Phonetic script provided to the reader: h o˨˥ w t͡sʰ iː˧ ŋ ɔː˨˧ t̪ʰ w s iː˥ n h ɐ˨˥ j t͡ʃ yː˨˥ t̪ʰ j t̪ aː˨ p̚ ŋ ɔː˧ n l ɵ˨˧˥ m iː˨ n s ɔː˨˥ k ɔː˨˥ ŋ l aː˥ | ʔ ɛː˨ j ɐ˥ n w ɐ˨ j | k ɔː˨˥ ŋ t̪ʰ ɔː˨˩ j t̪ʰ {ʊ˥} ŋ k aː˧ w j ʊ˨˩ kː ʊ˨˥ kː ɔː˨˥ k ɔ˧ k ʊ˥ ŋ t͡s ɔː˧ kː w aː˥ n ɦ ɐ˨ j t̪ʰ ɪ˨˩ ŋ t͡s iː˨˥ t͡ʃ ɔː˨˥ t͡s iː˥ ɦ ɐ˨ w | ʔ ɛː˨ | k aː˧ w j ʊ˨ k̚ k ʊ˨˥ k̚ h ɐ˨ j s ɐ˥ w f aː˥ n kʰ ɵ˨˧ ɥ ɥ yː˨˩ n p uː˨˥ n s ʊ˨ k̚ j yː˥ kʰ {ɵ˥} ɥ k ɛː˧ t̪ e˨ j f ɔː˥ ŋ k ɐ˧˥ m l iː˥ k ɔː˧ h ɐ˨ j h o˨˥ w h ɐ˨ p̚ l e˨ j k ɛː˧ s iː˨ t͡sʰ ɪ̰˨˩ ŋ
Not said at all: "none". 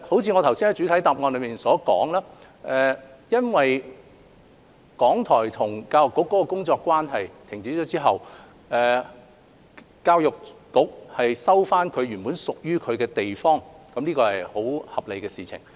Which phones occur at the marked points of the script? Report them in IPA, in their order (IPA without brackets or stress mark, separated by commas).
ʊ˨˩, ɵ˨˧